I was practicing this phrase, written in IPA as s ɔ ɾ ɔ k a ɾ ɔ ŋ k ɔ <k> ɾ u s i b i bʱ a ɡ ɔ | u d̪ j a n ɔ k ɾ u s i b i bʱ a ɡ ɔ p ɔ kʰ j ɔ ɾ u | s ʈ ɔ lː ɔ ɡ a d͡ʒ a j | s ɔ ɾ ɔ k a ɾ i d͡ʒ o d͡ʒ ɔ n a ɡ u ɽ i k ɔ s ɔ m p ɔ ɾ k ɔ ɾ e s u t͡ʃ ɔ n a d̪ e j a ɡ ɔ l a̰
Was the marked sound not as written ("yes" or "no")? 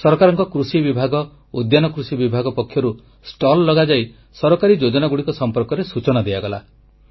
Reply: no